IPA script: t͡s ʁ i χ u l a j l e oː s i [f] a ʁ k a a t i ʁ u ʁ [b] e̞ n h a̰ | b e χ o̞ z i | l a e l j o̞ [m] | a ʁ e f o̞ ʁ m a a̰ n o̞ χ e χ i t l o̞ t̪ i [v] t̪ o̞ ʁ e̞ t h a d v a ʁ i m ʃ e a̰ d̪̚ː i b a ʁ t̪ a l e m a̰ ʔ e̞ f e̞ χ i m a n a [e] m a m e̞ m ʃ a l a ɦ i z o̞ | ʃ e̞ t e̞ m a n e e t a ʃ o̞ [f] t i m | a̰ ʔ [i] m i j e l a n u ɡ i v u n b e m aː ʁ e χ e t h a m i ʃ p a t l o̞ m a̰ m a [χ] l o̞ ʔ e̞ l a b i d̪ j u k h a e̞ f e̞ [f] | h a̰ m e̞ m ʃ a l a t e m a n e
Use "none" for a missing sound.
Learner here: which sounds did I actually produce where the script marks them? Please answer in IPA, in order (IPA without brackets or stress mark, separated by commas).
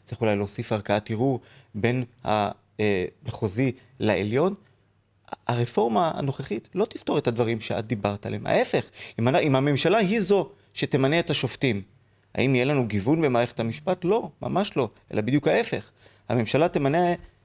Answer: f, b, n, f, i, f, i, ʃ, χ